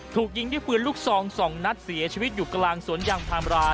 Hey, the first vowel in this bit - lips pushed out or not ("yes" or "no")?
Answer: yes